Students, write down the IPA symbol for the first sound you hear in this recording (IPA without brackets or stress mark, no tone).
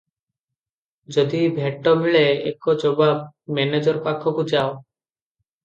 d͡ʒ